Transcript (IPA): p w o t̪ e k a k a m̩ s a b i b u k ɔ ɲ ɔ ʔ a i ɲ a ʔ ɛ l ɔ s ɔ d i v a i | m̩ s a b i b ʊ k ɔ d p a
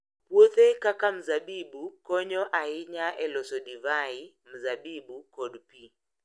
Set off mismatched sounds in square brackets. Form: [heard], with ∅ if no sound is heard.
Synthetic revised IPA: p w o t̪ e k a k a m̩ [z] a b i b u k ɔ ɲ ɔ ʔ a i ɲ a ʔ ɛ l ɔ s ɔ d i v a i | m̩ [z] a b i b [u] k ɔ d p [i]